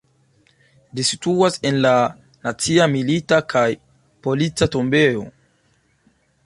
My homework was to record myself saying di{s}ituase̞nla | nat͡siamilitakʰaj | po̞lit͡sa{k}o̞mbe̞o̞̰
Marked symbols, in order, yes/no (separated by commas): yes, no